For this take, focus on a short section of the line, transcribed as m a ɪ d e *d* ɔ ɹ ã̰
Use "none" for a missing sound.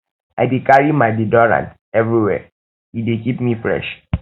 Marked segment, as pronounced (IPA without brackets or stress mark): d